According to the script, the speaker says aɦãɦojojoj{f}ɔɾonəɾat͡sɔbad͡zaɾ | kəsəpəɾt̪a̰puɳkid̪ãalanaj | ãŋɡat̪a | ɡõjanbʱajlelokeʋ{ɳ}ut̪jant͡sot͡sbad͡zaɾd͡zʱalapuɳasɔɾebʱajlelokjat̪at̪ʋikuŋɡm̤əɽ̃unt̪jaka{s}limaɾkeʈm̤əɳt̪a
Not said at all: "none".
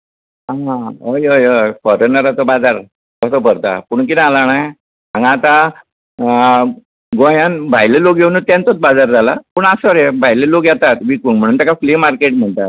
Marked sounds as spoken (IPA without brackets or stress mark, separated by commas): f, n, f